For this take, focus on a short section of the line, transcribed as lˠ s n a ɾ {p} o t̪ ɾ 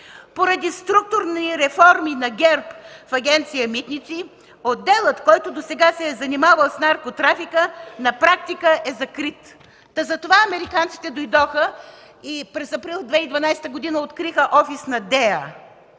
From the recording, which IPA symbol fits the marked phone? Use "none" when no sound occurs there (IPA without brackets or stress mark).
k